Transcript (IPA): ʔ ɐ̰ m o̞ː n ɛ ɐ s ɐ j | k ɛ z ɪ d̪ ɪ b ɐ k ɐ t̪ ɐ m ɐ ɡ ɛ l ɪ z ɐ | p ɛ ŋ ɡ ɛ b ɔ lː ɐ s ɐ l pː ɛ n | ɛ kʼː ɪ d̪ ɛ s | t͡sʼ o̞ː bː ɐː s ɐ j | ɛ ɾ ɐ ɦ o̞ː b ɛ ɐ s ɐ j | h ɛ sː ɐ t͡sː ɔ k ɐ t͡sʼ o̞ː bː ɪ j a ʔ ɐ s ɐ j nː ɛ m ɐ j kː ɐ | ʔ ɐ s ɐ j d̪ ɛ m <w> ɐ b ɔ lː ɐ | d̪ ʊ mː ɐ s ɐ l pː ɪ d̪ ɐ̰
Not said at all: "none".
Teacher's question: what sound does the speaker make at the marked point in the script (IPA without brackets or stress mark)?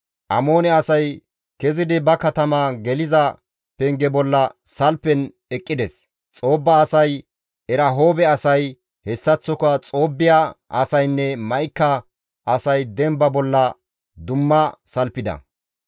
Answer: b